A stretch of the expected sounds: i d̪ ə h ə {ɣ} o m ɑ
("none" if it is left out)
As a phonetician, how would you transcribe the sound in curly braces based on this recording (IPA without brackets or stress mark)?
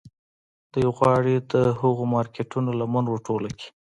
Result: ɣ